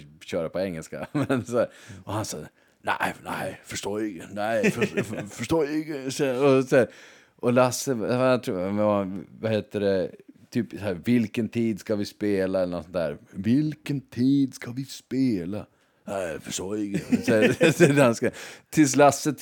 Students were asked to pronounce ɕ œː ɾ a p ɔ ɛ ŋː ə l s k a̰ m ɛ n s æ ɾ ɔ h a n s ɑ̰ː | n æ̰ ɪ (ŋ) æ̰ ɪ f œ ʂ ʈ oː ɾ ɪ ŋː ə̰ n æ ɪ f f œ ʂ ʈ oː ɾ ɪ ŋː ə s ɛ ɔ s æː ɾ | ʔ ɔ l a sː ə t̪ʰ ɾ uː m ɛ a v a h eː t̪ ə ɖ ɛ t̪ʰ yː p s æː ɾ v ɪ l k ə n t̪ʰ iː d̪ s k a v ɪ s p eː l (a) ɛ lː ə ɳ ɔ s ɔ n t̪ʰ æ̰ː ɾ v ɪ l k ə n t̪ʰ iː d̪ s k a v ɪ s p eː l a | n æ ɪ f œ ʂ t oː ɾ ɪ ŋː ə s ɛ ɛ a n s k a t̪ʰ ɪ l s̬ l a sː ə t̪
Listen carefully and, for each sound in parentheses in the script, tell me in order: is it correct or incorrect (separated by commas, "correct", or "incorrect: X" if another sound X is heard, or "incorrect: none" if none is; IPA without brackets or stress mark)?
incorrect: n, correct